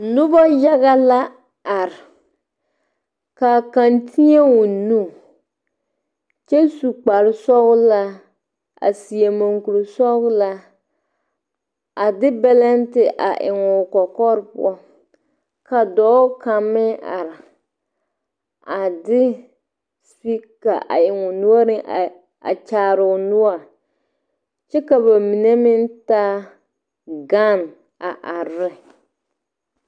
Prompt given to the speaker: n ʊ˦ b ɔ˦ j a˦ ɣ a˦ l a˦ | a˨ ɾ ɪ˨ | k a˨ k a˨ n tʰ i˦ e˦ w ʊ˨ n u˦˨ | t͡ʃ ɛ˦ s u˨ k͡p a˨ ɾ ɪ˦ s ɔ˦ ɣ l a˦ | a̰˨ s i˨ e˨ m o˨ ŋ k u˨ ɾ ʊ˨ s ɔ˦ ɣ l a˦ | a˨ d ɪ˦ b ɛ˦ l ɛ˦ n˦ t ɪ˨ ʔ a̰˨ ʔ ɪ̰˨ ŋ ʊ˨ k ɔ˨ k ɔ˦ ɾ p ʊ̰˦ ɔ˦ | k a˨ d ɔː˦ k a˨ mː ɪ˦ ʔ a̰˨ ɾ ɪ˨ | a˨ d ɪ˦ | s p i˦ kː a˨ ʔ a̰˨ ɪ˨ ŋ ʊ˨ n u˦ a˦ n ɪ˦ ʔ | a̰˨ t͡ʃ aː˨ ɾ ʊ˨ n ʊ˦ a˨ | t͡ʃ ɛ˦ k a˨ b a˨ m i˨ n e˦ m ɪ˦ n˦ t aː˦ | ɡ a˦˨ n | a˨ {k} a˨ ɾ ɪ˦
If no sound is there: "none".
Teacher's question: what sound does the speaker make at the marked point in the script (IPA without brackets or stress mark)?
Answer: ʔ